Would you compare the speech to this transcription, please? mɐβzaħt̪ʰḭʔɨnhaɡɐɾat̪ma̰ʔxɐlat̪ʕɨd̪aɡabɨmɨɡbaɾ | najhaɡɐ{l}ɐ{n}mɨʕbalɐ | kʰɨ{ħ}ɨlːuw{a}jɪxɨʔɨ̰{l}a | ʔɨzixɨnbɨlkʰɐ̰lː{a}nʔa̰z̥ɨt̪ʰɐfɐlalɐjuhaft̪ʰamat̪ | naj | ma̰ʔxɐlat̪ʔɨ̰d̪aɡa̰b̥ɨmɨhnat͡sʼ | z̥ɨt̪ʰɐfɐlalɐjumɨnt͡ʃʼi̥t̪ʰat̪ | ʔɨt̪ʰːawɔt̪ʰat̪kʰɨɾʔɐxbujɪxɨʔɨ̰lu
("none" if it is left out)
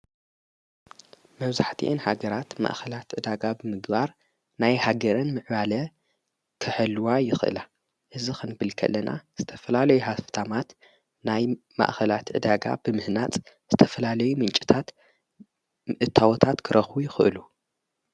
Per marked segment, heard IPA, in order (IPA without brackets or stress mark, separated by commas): ɾ, n, ħ, a, l, ɐ